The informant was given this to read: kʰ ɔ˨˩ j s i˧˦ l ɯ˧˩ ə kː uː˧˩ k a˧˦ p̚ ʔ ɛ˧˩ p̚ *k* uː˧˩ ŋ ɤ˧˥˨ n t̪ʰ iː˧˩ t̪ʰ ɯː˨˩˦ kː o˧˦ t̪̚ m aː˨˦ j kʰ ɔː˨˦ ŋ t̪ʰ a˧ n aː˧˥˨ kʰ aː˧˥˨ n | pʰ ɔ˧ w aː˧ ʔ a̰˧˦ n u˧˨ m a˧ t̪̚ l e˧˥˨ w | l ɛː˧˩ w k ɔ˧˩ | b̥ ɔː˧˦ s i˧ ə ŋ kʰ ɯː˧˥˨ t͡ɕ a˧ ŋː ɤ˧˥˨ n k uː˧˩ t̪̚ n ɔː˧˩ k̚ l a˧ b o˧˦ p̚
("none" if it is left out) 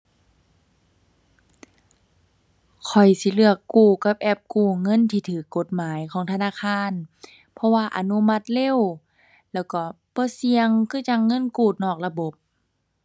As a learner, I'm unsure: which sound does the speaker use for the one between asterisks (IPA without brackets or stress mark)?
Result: k